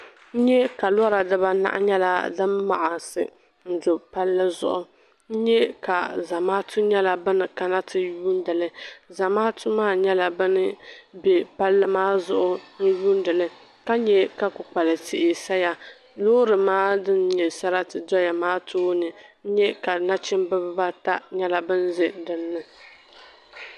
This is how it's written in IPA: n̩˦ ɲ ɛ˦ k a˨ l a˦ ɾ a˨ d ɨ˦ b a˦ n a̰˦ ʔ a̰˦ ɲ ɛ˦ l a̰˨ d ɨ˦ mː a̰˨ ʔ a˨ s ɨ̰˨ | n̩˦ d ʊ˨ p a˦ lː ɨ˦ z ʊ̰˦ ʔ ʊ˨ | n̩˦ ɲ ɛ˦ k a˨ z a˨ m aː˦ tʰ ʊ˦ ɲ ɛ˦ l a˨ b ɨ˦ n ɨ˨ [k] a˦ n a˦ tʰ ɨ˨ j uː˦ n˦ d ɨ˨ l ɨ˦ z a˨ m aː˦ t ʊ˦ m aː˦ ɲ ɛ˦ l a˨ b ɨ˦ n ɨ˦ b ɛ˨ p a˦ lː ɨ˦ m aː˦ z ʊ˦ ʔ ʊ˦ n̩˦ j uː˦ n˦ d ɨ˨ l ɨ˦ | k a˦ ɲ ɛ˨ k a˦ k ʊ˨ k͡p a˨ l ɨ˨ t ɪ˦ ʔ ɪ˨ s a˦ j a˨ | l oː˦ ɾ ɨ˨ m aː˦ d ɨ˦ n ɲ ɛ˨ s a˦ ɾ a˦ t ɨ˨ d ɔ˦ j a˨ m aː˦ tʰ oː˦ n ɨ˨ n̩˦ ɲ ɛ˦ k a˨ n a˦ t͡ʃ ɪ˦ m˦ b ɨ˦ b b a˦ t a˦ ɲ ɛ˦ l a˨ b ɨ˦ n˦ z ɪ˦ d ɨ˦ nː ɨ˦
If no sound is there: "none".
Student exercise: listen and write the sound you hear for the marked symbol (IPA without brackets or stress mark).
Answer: k